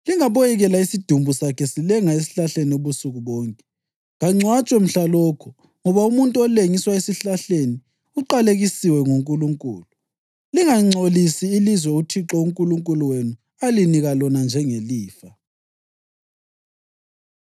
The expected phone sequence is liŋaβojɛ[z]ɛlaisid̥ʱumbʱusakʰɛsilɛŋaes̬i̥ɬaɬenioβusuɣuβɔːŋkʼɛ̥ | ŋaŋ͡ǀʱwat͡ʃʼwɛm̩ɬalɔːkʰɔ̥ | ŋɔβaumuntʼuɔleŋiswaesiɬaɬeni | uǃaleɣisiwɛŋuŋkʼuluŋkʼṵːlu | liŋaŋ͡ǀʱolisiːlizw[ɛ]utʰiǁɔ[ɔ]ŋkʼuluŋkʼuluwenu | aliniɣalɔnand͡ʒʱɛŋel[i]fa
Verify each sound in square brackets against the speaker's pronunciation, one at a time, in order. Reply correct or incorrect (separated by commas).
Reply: incorrect, correct, incorrect, incorrect